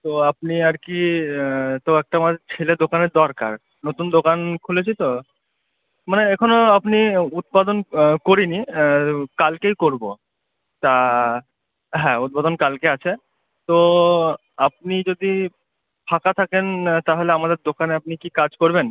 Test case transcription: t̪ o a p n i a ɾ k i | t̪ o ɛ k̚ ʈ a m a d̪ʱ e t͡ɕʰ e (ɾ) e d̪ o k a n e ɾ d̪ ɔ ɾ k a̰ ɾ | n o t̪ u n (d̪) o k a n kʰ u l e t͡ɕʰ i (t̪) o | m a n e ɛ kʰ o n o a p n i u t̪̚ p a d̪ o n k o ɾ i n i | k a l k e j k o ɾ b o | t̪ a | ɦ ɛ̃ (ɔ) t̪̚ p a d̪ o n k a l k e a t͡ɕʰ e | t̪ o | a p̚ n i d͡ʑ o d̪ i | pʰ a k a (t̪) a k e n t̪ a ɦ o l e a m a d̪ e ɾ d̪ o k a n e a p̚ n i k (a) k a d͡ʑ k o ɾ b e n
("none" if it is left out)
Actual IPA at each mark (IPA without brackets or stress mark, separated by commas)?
l, d̪, t̪, u, t̪ʰ, i